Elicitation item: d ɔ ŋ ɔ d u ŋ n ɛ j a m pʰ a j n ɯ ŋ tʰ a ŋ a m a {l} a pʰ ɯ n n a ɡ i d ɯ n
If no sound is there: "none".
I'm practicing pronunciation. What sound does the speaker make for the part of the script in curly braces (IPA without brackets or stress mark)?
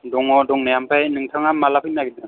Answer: l